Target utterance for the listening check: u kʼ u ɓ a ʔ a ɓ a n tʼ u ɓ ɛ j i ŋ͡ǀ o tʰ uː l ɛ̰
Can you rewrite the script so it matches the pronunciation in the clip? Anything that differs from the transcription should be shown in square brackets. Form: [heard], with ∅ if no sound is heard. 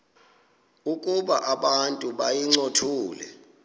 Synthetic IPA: u kʼ u ɓ a ʔ a ɓ a n tʼ u ɓ [a] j i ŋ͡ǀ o tʰ uː l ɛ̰